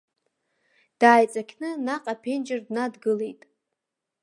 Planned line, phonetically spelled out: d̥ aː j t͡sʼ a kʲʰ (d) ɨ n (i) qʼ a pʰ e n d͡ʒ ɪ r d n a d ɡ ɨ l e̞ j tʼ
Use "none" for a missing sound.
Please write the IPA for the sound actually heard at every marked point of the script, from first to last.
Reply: n, a

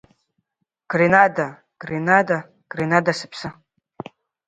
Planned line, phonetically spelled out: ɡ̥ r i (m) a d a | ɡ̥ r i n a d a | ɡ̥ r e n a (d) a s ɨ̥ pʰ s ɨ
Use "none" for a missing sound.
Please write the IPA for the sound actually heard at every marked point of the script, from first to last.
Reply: n, d

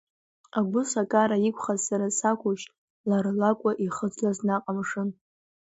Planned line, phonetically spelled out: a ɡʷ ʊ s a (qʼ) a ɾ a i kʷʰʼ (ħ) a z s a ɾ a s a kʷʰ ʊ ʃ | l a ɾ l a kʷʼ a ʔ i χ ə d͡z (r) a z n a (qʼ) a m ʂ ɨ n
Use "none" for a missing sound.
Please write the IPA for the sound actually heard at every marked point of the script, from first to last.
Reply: kʼ, χ, l, qʼ

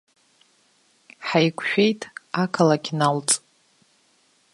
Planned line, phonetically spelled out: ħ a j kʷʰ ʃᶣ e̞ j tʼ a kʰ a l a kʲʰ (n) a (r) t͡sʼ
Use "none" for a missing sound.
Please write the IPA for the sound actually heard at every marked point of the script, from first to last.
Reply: n, l

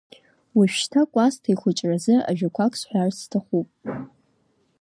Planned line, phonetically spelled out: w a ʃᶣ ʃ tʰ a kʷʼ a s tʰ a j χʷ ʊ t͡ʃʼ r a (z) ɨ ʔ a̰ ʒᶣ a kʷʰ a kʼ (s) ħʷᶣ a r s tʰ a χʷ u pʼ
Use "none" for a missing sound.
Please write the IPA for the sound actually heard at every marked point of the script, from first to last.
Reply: z, s

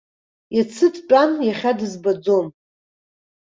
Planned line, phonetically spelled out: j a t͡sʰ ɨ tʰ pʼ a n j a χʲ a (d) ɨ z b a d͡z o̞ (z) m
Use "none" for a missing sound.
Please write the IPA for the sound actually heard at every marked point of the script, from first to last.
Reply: d, none

